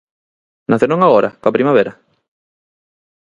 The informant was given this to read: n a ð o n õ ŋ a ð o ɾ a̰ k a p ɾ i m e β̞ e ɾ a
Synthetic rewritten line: n a θ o n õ ŋ a ɣ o ɾ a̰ k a p ɾ i m a β̞ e ɾ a